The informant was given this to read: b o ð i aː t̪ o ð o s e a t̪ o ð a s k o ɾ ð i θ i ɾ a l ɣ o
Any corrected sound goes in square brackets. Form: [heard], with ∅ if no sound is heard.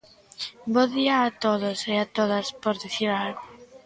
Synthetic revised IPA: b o ð i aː t̪ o ð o s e a t̪ o ð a s [p] o ɾ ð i θ i ɾ a l ɣ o